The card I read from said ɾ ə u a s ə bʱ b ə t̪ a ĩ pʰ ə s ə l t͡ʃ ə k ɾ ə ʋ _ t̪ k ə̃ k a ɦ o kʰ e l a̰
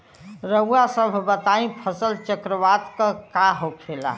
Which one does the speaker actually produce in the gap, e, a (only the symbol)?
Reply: a